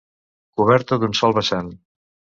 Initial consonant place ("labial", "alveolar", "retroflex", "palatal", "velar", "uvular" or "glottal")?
velar